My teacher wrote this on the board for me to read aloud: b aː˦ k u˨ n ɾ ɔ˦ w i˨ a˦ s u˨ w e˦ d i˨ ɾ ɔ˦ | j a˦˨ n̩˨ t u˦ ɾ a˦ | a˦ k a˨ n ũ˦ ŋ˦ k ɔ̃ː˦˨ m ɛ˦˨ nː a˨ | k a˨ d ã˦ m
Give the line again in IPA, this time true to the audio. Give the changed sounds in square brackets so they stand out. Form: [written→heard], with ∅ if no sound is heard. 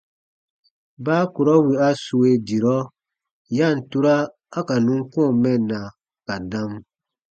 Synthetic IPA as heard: b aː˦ k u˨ [n→∅] ɾ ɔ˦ w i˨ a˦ s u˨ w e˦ d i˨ ɾ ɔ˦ | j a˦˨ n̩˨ t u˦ ɾ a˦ | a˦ k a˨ n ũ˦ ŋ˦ k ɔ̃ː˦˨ m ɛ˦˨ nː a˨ | k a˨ d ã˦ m